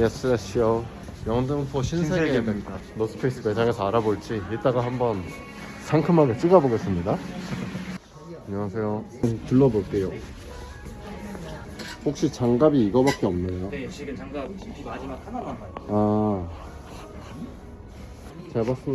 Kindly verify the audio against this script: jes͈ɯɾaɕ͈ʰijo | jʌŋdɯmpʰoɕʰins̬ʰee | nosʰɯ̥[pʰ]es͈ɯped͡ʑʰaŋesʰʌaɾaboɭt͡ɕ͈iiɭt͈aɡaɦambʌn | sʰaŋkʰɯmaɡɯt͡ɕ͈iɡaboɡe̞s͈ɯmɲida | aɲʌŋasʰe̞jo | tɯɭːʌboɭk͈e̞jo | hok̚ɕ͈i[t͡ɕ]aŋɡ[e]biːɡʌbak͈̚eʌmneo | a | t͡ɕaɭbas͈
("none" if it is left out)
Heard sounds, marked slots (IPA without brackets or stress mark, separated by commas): pʰ, t͡ɕ, a